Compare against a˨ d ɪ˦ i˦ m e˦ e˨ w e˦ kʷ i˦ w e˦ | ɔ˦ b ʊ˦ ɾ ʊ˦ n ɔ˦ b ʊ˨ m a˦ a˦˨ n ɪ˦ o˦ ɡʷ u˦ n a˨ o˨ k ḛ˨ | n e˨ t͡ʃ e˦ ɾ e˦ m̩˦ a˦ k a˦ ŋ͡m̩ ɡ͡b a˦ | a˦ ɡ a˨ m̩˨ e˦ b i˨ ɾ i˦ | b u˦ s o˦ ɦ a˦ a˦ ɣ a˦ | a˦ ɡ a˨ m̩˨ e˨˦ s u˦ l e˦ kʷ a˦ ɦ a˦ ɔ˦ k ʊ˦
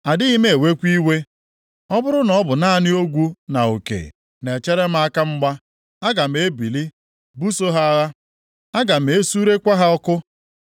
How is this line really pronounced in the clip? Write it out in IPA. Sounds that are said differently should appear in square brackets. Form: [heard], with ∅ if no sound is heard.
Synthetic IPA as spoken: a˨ d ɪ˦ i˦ m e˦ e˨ w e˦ kʷ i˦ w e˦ | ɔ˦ b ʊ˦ ɾ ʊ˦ n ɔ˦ b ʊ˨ [n] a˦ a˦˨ n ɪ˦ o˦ ɡʷ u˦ n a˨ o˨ k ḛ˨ | n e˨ t͡ʃ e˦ ɾ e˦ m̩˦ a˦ k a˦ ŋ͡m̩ ɡ͡b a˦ | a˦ ɡ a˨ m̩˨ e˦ b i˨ [l] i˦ | b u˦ s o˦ ɦ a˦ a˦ ɣ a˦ | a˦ ɡ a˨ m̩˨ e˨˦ s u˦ [ɾ] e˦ kʷ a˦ ɦ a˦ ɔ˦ k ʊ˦